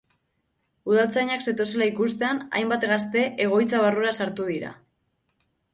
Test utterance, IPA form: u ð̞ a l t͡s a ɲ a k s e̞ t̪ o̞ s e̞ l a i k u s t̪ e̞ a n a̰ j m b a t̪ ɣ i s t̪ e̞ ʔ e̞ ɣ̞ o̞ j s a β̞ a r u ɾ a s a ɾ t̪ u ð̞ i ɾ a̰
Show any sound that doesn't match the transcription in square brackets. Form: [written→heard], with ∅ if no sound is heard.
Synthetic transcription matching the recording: u ð̞ a l t͡s a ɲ a k s e̞ t̪ o̞ s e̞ l a i k u s t̪ e̞ a n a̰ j m b a t̪ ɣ [i→a] s t̪ e̞ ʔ e̞ ɣ̞ o̞ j [s→t͡s] a β̞ a r u ɾ a s a ɾ t̪ u ð̞ i ɾ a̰